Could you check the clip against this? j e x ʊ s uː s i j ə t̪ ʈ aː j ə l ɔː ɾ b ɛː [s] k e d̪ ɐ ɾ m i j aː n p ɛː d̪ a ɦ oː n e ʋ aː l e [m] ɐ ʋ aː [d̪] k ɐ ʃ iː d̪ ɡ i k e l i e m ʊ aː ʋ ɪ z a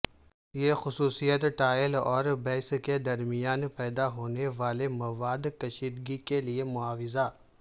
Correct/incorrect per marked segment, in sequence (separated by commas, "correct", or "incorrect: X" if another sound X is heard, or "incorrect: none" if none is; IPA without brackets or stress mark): correct, correct, correct